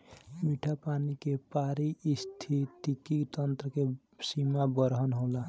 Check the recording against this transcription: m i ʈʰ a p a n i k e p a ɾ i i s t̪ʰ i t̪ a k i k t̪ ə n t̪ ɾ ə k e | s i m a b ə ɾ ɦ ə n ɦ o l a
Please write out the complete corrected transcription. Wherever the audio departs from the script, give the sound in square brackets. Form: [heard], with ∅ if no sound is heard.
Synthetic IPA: m i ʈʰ a p a n i k e p a ɾ i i s t̪ʰ i t̪ [i] k i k t̪ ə n t̪ ɾ ə k e | s i m a b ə ɾ ɦ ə n ɦ o l a